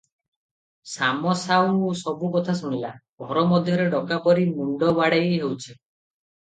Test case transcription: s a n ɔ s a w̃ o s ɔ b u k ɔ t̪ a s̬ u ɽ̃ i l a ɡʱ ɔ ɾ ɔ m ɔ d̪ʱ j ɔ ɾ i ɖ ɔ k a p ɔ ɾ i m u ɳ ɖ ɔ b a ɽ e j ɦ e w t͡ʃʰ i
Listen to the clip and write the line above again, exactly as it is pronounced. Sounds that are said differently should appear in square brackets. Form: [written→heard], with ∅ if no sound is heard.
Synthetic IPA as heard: s a [n→m] ɔ s a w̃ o s ɔ b u k ɔ [t̪→t̪ʰ] a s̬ u ɽ̃ i l a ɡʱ ɔ ɾ ɔ m ɔ d̪ʱ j ɔ ɾ [i→e] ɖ ɔ k a p ɔ ɾ i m u ɳ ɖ ɔ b a ɽ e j ɦ e w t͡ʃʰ i